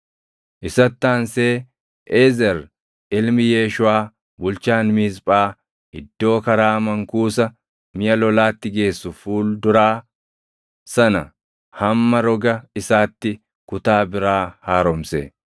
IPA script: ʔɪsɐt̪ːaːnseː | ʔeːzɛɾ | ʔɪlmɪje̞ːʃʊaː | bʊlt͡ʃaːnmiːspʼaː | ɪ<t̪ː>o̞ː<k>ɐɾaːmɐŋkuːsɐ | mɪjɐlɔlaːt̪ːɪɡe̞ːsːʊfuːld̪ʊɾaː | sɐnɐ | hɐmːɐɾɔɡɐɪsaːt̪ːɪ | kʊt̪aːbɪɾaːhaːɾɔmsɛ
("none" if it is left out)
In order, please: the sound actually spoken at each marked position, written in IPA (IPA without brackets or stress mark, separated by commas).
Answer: d̪ː, k